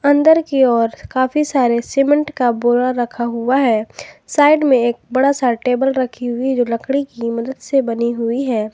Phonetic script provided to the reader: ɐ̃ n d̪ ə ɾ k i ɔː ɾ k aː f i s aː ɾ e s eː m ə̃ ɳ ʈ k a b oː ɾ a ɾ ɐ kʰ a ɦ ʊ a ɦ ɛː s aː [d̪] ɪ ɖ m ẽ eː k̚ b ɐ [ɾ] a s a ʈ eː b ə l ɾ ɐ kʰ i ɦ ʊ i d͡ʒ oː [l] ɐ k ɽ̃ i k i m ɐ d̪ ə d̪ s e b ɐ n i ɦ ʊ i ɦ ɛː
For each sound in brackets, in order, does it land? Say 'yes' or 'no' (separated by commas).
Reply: no, no, yes